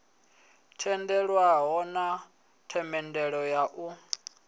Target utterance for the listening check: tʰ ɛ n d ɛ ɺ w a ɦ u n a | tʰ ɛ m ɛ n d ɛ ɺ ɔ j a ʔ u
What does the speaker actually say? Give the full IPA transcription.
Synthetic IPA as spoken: tʰ ɛ n d ɛ ɺ w a ɦ ɔ n a | tʰ ɛ m ɛ n d ɛ ɺ ɔ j a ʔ u